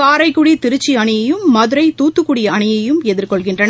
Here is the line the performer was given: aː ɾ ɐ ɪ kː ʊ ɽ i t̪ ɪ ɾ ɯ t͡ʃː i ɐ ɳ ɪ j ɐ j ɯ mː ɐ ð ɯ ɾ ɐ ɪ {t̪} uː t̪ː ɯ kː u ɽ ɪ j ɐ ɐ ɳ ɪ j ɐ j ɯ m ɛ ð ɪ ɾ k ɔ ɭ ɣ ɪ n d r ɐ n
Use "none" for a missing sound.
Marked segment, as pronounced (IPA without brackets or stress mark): t̪